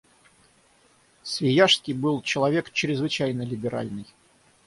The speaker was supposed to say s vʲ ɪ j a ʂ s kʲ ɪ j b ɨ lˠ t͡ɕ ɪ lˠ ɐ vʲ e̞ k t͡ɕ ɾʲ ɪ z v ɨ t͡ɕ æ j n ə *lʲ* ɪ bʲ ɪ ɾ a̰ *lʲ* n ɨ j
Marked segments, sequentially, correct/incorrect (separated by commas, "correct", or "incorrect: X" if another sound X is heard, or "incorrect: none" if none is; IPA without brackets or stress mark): correct, correct